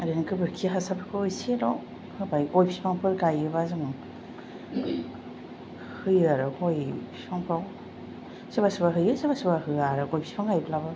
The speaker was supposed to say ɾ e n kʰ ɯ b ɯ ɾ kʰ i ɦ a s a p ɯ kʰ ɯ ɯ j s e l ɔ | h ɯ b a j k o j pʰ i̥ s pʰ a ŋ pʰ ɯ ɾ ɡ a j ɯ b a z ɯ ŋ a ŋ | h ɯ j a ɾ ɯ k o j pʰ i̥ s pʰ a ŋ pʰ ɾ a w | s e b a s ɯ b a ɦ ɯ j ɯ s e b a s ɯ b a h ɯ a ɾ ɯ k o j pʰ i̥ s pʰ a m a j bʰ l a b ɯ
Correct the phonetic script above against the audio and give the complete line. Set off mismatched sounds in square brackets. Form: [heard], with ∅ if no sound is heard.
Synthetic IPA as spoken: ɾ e n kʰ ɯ b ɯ ɾ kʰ i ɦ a s a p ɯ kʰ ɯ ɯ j s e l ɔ | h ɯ b a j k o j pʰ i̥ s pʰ a ŋ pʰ ɯ ɾ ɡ a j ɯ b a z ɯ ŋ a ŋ | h ɯ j a ɾ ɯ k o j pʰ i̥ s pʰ a ŋ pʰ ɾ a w | s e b a s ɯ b a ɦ ɯ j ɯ s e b a s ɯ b a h ɯ a ɾ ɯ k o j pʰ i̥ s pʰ a [ŋ] a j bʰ l a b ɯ